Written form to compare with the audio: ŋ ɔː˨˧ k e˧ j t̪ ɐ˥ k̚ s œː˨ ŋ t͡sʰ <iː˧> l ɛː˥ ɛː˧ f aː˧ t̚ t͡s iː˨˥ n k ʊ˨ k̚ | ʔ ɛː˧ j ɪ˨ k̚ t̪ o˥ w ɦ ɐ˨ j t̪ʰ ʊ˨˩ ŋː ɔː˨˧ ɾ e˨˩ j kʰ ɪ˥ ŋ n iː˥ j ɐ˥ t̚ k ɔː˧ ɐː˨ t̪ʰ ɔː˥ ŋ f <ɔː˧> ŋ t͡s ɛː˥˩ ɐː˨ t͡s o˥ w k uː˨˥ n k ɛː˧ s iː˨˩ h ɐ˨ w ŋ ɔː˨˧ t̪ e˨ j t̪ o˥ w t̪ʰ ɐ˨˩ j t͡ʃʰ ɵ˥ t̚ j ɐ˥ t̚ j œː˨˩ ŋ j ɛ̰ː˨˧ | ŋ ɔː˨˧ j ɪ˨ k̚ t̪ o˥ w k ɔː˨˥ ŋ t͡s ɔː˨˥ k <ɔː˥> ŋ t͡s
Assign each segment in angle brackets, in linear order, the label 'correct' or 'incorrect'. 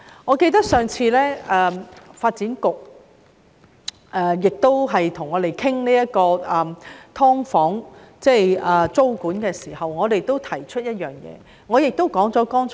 correct, incorrect, correct

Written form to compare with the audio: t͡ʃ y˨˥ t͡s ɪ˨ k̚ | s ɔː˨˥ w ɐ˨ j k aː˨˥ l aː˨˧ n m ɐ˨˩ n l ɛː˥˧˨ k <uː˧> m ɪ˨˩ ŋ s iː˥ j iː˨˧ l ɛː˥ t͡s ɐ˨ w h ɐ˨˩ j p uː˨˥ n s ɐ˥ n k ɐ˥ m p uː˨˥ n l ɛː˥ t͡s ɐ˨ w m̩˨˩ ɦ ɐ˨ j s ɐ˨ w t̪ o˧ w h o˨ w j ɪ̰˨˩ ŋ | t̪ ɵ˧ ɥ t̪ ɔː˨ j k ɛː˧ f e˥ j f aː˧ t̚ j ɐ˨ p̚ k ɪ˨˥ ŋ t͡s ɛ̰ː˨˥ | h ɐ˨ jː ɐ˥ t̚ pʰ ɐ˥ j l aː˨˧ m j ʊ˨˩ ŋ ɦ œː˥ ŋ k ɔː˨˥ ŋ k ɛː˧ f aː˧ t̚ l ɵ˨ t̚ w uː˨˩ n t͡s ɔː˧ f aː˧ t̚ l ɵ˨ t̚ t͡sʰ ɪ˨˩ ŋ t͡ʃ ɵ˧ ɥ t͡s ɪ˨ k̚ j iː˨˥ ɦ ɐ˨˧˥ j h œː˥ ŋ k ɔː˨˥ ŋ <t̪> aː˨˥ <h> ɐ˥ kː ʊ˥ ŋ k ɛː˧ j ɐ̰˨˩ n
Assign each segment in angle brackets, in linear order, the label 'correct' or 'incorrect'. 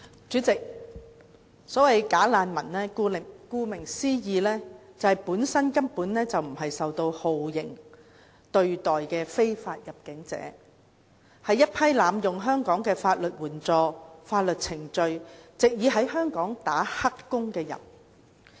correct, correct, correct

